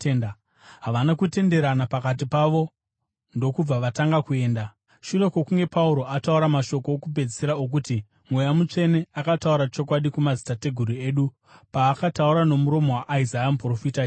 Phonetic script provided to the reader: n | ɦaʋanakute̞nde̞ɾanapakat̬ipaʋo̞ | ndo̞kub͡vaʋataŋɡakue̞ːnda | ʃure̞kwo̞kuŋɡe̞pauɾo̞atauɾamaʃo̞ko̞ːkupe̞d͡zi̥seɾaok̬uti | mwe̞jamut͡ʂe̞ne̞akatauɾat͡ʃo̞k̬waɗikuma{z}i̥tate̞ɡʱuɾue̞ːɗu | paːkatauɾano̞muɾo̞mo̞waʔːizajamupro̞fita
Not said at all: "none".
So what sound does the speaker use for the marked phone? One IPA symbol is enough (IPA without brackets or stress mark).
z